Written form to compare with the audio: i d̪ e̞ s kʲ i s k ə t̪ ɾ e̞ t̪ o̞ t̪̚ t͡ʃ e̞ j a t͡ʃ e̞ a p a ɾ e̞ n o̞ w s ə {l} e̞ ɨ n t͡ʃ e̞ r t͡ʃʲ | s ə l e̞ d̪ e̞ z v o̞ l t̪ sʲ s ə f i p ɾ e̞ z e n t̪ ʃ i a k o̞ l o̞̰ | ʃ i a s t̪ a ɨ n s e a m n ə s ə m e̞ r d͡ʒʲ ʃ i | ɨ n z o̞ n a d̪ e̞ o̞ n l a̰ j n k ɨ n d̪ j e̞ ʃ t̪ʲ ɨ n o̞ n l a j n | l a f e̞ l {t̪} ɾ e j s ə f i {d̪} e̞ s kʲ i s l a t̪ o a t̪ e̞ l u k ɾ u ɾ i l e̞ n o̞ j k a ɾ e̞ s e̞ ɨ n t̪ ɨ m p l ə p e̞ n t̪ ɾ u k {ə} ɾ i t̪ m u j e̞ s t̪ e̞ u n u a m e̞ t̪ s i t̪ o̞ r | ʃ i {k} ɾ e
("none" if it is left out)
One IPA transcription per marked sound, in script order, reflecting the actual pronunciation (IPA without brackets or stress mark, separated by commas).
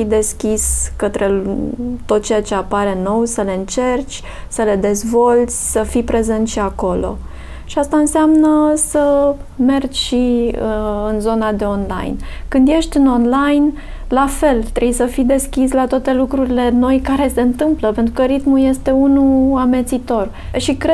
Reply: l, t̪, d̪, ə, k